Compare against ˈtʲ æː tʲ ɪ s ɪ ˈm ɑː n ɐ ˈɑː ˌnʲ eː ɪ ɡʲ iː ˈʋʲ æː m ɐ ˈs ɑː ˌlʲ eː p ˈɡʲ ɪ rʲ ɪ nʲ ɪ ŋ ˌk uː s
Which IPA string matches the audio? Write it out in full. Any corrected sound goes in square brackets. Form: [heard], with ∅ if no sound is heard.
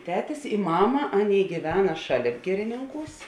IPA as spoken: ˈtʲ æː tʲ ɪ s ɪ ˈm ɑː [m] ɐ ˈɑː ˌnʲ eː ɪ ɡʲ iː ˈʋʲ æː [n] ɐ [ˈʃ] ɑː ˌlʲ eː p ˈɡʲ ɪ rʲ ɪ nʲ ɪ ŋ ˌk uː s